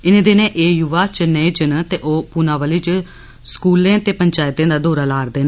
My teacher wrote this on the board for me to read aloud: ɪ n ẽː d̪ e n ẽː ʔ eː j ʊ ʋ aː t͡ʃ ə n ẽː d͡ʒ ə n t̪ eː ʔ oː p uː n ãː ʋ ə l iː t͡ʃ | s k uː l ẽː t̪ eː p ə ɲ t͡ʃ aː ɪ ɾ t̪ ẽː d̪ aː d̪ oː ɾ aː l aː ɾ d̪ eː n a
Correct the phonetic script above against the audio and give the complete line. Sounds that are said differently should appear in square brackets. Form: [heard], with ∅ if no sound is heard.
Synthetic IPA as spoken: ɪ n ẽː d̪ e n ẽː ʔ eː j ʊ ʋ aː t͡ʃ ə n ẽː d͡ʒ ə n t̪ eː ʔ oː p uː n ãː ʋ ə l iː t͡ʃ | s k uː l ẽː t̪ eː p ə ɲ t͡ʃ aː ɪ [∅] t̪ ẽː d̪ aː d̪ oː ɾ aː l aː ɾ d̪ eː n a